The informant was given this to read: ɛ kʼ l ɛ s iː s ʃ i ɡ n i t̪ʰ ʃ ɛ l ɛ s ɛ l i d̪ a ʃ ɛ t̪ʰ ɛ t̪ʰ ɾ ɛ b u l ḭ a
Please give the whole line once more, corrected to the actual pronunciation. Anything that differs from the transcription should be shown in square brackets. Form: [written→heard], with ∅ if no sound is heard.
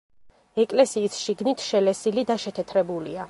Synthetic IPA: ɛ kʼ l ɛ s iː s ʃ i ɡ n i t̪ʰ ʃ ɛ l ɛ s [ɛ→i] l i d̪ a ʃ ɛ t̪ʰ ɛ t̪ʰ ɾ ɛ b u l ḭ a